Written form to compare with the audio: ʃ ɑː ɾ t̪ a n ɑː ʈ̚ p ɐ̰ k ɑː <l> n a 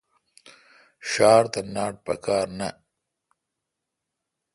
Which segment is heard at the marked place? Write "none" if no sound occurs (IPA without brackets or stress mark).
ɾ